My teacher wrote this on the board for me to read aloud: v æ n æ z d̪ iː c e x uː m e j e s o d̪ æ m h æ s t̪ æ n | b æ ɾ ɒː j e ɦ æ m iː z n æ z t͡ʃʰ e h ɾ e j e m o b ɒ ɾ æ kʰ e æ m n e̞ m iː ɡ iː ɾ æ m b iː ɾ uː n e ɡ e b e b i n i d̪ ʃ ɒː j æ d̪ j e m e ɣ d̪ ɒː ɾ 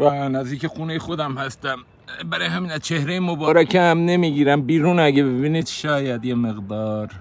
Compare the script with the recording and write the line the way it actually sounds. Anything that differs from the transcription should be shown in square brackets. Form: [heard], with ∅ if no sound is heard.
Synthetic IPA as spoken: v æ n æ z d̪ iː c e x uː [n] e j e [x] o d̪ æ m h æ s t̪ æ [m] | b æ ɾ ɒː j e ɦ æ m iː [∅] n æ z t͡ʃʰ e h ɾ e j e m o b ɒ ɾ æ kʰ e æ m n e̞ m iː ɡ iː ɾ æ m b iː ɾ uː n [æ] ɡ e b e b i n i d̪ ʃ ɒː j æ d̪ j e m e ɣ d̪ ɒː ɾ